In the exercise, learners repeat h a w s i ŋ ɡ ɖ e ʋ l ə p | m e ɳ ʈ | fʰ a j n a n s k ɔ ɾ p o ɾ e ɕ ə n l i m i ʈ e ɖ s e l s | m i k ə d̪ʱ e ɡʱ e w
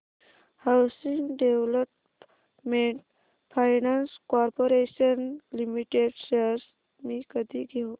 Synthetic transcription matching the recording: h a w s i ŋ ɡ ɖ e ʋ l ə p | m e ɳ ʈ | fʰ a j n a n s k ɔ ɾ p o ɾ e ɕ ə n l i m i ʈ e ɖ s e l s | m i k ə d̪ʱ i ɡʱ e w